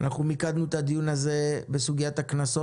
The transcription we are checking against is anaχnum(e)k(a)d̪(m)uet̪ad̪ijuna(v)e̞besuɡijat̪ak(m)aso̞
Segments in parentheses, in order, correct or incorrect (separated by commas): incorrect, correct, incorrect, incorrect, incorrect